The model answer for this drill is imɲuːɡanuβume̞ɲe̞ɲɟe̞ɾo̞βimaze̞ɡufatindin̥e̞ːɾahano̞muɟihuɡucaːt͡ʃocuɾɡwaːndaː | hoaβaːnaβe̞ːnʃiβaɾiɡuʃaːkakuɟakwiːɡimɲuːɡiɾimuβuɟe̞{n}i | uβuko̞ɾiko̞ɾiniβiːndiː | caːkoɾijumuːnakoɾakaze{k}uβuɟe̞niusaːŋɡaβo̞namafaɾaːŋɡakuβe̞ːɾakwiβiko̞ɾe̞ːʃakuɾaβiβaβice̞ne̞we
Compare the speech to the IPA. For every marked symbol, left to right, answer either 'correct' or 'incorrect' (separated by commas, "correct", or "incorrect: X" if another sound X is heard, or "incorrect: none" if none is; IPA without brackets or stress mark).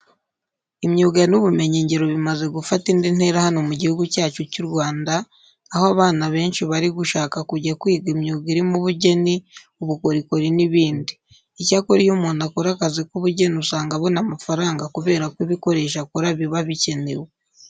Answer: correct, correct